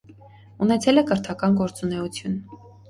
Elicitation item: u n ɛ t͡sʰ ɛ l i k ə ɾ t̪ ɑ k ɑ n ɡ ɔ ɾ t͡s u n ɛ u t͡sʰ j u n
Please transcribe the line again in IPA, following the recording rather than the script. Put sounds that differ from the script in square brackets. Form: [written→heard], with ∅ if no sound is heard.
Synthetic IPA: u n ɛ t͡sʰ ɛ l [i→ɛ] k ə ɾ [t̪→t̪ʰ] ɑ k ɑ n ɡ ɔ ɾ t͡s u n ɛ u t͡sʰ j u n